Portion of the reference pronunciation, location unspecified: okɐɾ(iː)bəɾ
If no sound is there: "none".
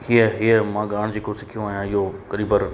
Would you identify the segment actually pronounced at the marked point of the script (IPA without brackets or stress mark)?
iː